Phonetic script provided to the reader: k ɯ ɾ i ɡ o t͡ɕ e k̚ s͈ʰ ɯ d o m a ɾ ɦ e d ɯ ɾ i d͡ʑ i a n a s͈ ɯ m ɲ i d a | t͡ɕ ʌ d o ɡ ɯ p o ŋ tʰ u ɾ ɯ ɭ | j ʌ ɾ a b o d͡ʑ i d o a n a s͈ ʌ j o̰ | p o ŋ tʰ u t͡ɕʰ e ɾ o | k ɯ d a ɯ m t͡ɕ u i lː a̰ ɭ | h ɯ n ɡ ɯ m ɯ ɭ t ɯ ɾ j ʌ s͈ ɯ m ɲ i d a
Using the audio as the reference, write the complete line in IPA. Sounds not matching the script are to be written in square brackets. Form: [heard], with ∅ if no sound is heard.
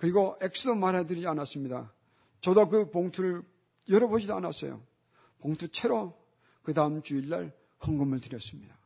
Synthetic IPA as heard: k ɯ ɾ i ɡ o [∅] e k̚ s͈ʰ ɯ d o m a ɾ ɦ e d ɯ ɾ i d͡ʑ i a n a s͈ ɯ m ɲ i d a | t͡ɕ ʌ d o [k] ɯ p o ŋ tʰ u ɾ ɯ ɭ | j ʌ ɾ [ʌ] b o d͡ʑ i d o a n a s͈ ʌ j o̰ | p o ŋ tʰ u t͡ɕʰ e ɾ o | k ɯ d a ɯ m t͡ɕ u i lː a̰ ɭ | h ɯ [ŋ] ɡ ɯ m ɯ ɭ t ɯ ɾ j ʌ s͈ ɯ m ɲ i d a